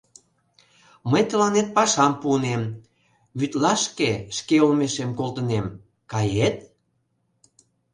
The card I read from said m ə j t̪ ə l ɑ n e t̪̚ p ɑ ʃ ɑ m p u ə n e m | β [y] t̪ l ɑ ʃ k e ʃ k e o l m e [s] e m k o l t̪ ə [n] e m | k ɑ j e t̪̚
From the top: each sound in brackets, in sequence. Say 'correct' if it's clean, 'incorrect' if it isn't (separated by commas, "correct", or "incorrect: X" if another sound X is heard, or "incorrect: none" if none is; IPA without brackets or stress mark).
correct, incorrect: ʃ, correct